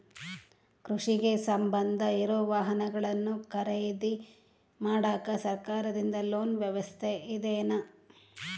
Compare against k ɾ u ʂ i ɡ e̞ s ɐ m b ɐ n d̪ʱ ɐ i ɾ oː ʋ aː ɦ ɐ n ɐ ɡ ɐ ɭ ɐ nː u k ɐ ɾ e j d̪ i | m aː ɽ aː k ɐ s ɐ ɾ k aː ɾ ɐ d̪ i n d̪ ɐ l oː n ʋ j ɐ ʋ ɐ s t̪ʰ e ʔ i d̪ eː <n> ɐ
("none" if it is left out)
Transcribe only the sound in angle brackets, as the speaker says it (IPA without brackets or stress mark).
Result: n